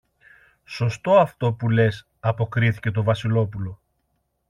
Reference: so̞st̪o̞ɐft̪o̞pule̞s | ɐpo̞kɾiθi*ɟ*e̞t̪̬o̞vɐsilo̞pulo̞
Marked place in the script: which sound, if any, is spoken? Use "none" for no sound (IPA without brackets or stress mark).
c